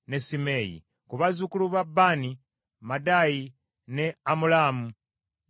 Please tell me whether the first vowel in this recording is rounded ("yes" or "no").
no